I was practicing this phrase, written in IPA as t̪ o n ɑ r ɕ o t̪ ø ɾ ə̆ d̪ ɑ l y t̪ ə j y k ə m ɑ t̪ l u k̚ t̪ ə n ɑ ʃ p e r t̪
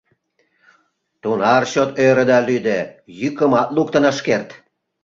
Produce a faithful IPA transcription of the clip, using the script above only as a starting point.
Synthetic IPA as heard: t̪ u n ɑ r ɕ o t̪ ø ɾ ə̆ d̪ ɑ l y d̪ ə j y k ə m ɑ t̪ l u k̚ t̪ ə n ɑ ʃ k e r t̪